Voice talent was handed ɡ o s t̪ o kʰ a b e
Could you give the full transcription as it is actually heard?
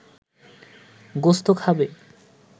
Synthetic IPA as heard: ɡ o s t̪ o kʰ a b e